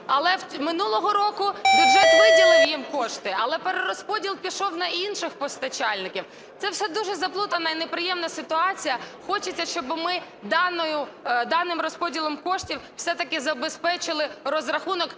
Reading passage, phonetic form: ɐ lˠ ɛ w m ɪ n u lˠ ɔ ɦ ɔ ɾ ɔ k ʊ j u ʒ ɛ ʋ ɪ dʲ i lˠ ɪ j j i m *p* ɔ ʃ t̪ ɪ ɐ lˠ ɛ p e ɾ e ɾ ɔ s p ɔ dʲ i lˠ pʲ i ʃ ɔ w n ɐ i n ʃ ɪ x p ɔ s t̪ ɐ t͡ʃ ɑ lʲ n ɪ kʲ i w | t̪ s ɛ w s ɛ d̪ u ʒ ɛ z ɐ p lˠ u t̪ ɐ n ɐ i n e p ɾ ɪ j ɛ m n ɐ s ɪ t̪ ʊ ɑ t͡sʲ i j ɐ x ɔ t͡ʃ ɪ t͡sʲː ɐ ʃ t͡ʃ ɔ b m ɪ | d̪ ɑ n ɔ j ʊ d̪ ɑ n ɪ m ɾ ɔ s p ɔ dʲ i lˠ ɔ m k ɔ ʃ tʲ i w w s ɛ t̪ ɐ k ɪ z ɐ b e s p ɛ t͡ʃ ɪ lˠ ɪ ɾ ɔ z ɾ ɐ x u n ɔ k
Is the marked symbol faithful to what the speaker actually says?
no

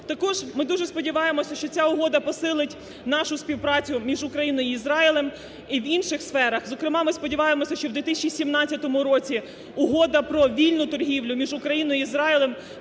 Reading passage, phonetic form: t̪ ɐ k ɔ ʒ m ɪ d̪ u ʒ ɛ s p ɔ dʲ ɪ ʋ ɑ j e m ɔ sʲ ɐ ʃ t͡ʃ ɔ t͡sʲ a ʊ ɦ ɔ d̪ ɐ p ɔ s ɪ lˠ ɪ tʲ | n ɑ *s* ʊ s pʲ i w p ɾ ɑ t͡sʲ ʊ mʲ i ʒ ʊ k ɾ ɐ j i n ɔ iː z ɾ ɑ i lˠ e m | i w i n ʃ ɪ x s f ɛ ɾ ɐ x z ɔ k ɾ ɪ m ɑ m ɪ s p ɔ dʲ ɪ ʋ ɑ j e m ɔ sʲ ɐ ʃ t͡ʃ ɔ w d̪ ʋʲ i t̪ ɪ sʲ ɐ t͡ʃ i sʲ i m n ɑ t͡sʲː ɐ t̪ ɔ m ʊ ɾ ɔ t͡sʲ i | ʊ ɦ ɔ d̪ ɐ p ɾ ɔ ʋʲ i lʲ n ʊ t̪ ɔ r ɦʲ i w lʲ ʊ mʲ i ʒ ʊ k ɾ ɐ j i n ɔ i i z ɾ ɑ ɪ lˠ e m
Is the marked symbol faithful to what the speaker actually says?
no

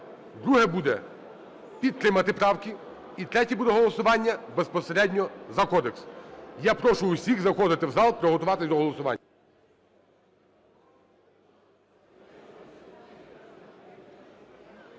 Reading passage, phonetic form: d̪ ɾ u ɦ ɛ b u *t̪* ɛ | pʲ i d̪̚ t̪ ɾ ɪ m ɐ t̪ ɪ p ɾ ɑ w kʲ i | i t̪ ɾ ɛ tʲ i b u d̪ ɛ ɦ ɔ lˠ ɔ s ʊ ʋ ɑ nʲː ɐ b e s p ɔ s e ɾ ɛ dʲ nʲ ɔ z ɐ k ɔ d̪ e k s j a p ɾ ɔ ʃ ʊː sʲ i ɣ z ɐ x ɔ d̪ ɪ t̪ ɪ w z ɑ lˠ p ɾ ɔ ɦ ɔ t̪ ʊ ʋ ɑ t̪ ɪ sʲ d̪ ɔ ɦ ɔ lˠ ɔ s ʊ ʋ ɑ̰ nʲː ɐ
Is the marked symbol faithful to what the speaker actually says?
no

